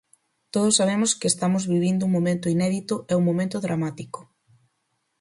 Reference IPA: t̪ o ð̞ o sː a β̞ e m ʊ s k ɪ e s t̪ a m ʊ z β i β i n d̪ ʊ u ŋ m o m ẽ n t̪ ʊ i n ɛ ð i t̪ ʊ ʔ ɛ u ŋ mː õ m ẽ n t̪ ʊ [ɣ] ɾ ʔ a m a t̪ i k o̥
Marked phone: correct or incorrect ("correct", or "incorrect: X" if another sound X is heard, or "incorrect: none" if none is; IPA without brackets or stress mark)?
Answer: incorrect: ð